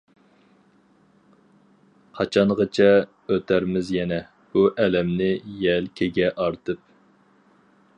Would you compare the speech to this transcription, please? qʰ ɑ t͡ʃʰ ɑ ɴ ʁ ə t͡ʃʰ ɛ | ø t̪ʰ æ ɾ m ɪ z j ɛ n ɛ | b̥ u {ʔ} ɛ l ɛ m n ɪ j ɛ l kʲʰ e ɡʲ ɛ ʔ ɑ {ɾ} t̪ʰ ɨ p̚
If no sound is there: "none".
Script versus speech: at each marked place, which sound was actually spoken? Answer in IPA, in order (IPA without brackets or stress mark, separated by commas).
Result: ʔ, ɾ